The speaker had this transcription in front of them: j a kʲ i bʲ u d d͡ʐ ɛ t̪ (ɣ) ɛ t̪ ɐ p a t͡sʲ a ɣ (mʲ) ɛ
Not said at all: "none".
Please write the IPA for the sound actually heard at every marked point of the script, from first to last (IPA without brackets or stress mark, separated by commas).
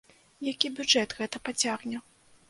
ɣ, nʲ